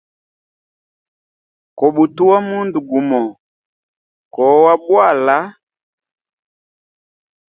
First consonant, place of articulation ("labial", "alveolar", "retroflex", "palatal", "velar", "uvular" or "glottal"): velar